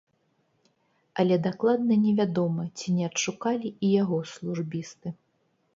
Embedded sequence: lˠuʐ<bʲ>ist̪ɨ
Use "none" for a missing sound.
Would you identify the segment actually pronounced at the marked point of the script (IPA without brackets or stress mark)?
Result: bʲ